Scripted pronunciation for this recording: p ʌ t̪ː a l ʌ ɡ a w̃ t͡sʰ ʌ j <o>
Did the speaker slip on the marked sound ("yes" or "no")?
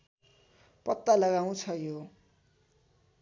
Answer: no